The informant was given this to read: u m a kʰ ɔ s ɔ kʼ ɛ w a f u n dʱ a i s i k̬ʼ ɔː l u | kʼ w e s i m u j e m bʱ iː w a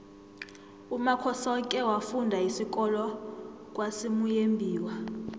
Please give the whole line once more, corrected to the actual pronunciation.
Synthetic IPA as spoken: u m a kʰ ɔ s ɔ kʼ ɛ w a f u n dʱ a i s i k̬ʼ ɔ l ɔ | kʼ w a s i m u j e m bʱ iː w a